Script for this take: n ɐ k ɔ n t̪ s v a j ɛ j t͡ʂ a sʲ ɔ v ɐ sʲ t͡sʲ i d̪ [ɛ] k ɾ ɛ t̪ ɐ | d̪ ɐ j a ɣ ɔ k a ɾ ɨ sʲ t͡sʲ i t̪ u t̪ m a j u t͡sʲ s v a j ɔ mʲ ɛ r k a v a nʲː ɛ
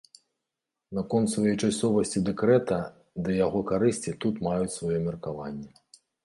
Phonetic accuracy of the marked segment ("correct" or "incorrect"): correct